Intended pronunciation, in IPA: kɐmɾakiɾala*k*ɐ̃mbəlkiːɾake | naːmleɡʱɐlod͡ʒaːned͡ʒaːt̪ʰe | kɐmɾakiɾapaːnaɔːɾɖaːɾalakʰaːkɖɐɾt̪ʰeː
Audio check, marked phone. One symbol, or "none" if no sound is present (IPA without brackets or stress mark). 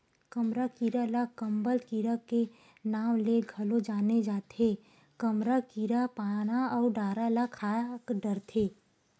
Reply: k